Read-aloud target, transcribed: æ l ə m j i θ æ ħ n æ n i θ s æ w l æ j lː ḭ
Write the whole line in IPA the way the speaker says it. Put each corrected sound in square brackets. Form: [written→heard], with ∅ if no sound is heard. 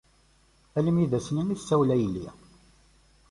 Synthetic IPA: æ l ə m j i [θ→ð] æ [ħ→s] n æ n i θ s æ w l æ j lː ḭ